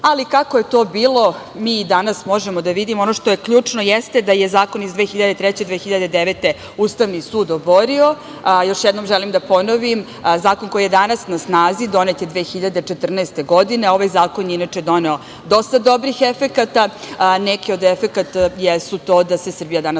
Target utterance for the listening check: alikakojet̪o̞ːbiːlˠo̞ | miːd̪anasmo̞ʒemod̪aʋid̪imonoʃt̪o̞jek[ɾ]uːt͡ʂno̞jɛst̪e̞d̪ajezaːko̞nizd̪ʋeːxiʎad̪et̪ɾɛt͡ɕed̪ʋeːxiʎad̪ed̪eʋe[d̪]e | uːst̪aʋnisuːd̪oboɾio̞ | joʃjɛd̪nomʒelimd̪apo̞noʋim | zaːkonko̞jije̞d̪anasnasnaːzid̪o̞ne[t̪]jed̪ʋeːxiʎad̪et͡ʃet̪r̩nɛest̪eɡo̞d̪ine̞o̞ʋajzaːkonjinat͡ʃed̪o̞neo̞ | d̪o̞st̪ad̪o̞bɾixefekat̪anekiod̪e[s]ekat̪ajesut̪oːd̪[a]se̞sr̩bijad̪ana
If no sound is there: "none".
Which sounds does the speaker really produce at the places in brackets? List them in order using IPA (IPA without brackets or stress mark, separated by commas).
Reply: ʎ, t̪, t̪, f, a